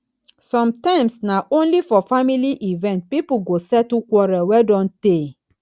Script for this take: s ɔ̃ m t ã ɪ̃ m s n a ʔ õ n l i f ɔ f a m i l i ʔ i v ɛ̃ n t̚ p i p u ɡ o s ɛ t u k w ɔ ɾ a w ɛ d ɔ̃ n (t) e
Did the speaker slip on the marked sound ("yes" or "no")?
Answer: no